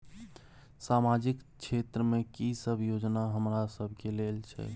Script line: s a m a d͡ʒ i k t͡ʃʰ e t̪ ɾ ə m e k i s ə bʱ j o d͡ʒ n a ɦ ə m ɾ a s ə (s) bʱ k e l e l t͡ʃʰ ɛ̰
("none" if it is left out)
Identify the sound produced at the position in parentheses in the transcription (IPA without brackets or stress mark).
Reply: none